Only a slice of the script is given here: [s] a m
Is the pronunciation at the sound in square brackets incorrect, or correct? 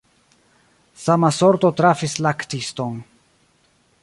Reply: correct